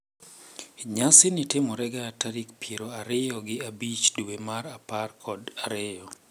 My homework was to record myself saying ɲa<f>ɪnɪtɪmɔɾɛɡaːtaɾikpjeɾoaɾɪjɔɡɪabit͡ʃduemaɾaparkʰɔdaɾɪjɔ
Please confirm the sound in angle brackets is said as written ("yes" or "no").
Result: no